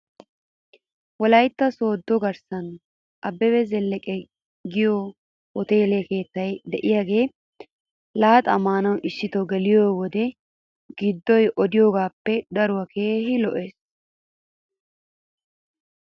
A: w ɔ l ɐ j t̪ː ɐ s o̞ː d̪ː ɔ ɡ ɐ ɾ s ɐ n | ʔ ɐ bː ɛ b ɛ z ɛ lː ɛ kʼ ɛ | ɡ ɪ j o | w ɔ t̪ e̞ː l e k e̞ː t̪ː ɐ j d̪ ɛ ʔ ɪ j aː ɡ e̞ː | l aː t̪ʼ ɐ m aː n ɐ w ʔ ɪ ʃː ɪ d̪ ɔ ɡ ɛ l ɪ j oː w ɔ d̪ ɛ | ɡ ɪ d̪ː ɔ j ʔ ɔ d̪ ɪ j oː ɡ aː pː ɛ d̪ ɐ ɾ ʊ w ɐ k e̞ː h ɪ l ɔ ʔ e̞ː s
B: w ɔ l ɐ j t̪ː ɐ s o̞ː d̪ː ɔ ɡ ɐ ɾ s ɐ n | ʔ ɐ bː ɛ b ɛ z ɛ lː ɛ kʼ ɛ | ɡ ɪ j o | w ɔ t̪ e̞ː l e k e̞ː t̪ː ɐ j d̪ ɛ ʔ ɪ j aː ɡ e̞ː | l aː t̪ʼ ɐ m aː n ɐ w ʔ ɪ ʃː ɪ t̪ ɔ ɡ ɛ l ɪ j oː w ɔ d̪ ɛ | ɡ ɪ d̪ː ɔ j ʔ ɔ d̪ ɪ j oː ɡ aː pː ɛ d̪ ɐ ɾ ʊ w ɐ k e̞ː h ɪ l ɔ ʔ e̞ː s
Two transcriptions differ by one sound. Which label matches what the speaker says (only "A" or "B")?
B